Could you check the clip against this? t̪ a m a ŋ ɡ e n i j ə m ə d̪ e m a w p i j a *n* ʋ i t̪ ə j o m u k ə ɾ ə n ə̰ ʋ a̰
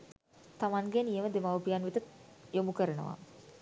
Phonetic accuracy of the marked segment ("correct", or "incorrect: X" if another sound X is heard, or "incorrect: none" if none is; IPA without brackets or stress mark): correct